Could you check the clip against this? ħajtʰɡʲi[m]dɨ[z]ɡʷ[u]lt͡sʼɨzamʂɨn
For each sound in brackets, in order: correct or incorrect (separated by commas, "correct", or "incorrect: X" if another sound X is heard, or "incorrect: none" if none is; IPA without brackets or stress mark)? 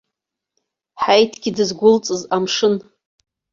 incorrect: none, correct, incorrect: ʊ